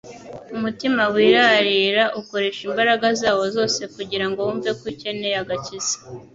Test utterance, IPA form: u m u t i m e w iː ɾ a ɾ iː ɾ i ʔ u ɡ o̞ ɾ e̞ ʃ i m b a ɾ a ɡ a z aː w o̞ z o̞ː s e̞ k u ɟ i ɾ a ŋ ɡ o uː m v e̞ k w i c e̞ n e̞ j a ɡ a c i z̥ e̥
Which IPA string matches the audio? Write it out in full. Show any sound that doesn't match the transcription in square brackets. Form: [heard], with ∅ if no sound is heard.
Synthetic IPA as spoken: u m u t i m [a] w iː ɾ a ɾ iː ɾ [a] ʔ u [k] o̞ ɾ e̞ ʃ i m b a ɾ a ɡ a z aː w o̞ z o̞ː s e̞ k u ɟ i ɾ a ŋ ɡ o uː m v e̞ k w i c e̞ n e̞ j a ɡ a c i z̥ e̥